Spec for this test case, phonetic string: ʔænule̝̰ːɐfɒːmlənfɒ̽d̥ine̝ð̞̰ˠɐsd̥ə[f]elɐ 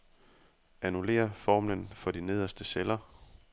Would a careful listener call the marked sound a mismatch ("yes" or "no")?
yes